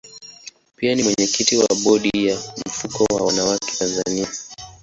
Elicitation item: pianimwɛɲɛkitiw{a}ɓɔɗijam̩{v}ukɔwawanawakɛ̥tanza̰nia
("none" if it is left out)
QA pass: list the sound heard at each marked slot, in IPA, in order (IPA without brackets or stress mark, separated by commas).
a, f